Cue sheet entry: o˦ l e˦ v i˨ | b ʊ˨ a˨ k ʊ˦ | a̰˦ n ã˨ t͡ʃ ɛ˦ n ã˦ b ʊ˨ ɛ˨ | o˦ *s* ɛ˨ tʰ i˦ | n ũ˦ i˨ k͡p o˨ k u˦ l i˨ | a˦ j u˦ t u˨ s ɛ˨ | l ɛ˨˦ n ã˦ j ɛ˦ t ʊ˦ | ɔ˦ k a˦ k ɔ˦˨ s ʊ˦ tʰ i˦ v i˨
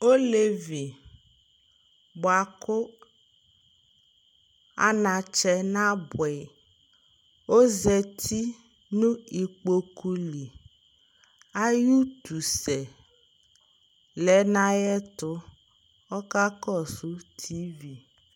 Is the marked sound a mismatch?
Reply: yes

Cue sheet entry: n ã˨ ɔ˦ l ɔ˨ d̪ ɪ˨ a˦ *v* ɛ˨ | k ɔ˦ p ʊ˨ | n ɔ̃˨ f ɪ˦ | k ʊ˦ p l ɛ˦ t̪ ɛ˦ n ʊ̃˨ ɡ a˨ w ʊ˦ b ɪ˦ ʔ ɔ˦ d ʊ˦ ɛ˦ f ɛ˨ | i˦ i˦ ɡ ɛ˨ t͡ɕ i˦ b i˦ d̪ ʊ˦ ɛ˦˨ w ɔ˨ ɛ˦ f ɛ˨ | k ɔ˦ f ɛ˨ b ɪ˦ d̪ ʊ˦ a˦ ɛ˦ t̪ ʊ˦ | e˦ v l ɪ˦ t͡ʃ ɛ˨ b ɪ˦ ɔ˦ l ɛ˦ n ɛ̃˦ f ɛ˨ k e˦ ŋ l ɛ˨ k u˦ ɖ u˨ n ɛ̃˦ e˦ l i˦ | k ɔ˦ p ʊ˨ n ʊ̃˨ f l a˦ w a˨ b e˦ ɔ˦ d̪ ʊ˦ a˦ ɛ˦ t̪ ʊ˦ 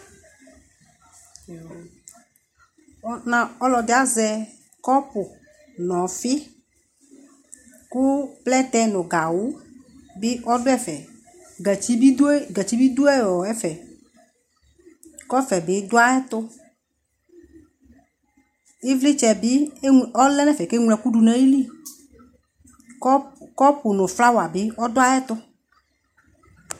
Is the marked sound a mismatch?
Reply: yes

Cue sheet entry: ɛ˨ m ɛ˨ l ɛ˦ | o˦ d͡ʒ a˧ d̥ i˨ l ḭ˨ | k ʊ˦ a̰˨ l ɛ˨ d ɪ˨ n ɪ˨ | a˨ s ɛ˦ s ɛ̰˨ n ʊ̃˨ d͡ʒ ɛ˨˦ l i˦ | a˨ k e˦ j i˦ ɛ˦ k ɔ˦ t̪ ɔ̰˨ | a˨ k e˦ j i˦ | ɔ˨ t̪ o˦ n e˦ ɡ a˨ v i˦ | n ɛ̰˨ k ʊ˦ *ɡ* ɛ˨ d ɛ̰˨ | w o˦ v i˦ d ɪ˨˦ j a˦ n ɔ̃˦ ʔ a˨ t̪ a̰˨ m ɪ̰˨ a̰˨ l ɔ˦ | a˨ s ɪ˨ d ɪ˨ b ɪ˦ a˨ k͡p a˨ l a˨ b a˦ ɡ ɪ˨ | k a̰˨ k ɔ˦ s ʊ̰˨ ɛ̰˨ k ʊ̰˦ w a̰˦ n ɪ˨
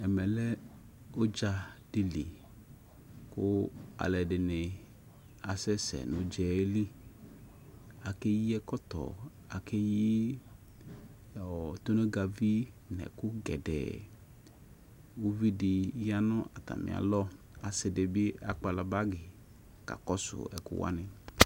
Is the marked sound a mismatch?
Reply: no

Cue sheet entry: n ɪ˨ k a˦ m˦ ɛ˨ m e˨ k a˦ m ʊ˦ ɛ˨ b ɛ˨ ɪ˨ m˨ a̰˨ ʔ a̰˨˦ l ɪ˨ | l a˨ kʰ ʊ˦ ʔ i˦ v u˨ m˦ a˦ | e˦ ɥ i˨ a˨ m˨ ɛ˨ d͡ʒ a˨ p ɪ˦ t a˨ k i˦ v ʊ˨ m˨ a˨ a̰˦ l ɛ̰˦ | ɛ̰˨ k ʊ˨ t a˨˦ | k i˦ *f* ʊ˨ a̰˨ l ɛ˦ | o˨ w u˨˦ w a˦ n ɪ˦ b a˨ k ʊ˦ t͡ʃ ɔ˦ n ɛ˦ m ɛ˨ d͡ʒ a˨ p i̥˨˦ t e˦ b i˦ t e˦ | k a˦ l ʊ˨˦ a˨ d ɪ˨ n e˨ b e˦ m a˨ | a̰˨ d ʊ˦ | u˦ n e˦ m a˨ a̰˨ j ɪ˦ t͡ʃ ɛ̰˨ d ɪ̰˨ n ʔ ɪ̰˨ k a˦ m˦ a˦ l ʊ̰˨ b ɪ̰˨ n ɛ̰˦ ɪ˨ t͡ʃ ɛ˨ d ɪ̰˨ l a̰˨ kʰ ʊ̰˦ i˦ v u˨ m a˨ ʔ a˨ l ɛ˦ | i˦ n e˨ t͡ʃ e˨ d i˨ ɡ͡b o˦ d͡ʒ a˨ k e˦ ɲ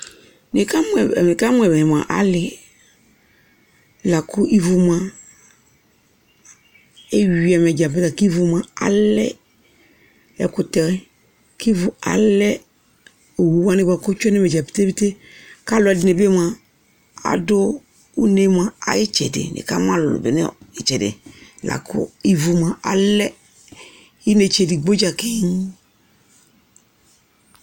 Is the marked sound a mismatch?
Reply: yes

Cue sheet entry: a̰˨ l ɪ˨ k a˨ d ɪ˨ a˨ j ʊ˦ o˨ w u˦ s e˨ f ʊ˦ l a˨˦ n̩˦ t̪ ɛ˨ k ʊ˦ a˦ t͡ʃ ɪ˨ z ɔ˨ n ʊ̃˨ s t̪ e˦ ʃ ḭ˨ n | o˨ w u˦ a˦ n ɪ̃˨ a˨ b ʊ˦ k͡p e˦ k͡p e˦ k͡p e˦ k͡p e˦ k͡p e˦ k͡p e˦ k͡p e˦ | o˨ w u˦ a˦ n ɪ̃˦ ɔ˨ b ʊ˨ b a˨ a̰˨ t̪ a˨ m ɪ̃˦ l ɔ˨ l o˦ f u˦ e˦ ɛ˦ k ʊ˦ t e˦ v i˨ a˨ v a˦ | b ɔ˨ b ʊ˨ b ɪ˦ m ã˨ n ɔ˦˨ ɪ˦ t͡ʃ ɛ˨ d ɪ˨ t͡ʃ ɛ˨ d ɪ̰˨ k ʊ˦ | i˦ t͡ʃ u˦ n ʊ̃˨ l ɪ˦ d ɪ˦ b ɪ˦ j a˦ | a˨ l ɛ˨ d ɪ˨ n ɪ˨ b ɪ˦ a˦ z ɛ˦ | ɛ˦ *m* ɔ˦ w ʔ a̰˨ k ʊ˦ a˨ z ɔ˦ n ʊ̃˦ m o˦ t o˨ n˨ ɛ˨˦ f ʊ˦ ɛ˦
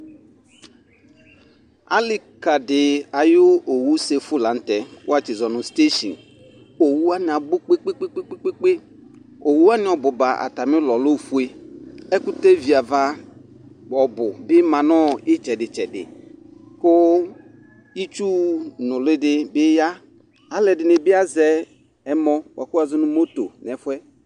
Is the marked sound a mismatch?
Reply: no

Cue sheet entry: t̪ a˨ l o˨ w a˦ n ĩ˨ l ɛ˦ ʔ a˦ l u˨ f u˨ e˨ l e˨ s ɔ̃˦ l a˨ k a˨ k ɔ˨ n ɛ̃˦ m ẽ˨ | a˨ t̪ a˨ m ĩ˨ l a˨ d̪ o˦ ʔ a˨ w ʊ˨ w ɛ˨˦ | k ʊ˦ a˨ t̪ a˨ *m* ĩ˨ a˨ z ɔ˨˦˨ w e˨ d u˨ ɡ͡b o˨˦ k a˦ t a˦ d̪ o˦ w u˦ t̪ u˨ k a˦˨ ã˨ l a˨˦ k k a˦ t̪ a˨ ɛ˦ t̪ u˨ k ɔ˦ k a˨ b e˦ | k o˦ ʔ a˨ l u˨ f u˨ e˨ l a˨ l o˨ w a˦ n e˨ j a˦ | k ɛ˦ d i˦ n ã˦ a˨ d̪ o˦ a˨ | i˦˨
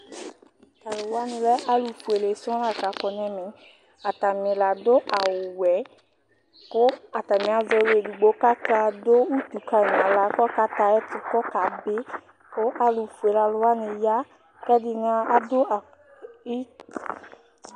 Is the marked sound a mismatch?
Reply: no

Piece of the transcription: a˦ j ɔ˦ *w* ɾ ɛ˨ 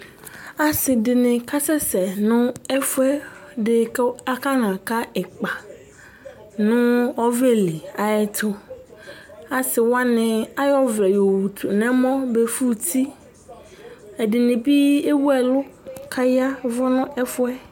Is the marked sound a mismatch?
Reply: yes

